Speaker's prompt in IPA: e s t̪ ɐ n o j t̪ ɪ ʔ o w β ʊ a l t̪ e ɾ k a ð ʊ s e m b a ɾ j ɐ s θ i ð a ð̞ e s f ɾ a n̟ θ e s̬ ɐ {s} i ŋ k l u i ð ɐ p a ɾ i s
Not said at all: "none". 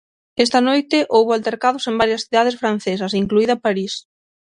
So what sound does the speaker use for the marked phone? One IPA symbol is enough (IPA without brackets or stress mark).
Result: s